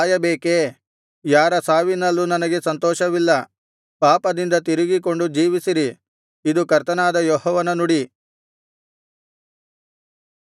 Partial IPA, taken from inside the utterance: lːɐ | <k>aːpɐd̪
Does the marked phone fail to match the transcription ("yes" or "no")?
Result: yes